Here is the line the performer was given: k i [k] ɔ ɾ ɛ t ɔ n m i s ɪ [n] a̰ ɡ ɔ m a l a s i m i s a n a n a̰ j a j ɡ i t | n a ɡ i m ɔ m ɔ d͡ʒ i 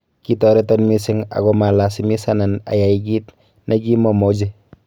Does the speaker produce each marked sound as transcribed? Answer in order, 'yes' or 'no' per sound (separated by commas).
no, no